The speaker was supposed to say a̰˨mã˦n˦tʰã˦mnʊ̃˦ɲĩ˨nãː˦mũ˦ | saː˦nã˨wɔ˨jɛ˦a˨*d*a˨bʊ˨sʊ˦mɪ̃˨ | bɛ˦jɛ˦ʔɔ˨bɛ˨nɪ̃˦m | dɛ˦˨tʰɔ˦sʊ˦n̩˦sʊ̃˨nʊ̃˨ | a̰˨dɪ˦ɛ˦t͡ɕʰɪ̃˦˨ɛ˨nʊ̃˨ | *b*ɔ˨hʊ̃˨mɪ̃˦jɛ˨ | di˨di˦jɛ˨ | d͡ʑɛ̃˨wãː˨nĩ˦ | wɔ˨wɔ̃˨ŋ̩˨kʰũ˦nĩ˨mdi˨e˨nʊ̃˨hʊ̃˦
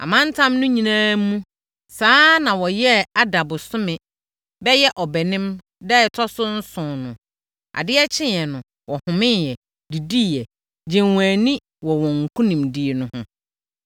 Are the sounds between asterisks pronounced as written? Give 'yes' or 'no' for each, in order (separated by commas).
yes, no